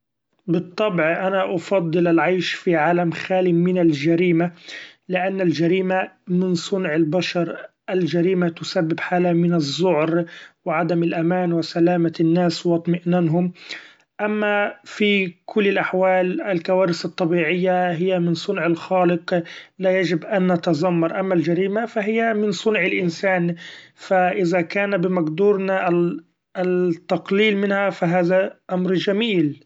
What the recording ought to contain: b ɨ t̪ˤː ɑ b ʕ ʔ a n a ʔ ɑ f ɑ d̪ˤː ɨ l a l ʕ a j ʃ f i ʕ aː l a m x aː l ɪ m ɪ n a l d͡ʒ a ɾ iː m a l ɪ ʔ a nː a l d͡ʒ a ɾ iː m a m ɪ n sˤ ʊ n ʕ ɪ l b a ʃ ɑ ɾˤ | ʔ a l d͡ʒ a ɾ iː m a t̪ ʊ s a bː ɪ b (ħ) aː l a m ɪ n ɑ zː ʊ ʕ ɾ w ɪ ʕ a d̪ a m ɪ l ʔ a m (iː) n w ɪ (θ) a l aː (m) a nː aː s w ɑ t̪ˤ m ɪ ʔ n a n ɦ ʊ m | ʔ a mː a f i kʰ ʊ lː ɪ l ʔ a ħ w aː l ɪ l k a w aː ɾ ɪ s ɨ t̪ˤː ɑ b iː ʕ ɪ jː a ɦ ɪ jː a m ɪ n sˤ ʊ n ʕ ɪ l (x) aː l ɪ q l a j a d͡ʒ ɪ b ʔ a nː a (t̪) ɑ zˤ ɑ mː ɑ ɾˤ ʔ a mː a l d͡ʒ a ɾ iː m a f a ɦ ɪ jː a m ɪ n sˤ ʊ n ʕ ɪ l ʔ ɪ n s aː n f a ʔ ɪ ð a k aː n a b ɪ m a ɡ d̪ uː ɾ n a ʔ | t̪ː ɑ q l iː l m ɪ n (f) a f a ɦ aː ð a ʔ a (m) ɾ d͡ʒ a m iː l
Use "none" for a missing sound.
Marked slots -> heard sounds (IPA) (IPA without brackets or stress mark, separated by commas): ħ, aː, s, m, x, t̪, h, m